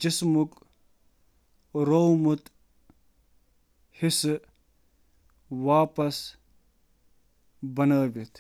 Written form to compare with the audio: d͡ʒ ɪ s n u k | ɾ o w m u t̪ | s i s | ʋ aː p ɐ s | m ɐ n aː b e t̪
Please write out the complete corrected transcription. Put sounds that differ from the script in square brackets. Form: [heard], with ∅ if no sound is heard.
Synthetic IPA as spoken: d͡ʒ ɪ s [m] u k | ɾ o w m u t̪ | [h] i s | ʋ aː p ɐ s | [b] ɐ n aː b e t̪